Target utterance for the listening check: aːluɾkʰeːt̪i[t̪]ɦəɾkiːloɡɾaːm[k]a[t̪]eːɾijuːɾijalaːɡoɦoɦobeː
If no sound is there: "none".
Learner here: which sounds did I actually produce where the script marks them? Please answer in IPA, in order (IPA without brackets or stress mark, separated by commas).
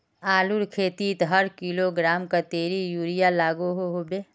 t̪, k, t̪